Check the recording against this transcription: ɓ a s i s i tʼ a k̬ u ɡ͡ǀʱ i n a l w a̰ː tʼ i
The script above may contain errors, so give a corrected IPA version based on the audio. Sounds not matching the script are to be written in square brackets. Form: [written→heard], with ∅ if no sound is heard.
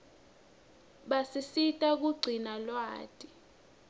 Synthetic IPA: ɓ a s i s i tʼ a k̬ u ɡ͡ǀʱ i n a l w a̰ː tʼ i